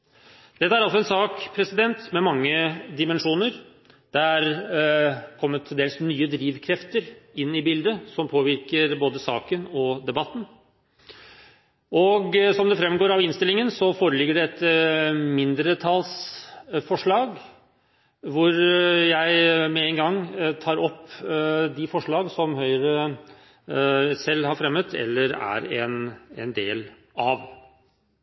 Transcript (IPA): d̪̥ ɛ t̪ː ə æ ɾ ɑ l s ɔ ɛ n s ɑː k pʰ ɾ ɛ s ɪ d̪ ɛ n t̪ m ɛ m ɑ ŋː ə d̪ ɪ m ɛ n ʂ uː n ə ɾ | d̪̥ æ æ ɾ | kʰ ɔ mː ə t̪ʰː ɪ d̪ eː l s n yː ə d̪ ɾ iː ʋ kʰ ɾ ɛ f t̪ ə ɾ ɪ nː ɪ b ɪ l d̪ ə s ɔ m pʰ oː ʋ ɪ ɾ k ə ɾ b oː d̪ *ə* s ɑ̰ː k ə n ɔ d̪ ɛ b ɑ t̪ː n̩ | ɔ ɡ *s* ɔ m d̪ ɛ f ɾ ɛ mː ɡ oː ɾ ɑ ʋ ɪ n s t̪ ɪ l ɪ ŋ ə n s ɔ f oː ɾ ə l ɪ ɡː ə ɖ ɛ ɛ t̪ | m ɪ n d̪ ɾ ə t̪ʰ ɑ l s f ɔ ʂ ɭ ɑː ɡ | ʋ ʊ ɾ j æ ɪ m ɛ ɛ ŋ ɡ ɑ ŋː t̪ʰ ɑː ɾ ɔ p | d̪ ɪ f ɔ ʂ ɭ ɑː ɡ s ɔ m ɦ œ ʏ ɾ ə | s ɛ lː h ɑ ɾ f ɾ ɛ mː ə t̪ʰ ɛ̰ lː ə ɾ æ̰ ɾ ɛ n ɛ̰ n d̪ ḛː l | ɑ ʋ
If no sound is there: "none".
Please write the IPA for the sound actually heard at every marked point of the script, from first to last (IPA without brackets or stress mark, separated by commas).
ə, s